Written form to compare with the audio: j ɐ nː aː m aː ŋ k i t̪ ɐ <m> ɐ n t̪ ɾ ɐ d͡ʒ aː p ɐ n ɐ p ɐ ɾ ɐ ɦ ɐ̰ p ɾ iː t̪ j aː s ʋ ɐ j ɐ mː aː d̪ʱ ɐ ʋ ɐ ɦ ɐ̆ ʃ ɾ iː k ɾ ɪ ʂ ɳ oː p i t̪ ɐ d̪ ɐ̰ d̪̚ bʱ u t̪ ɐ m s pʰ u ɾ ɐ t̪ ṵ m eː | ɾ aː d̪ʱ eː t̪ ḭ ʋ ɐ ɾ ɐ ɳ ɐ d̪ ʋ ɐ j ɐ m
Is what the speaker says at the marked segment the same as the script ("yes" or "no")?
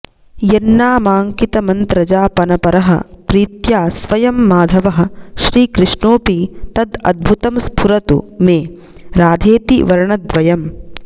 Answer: yes